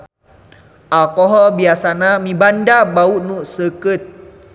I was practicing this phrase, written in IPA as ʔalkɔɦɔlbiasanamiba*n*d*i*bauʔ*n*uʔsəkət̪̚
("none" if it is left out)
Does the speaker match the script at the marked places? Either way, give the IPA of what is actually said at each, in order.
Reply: n, a, n

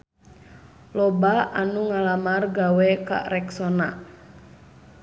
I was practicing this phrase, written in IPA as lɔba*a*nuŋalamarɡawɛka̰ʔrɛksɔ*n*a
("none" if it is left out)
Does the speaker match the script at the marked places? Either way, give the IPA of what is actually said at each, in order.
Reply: a, n

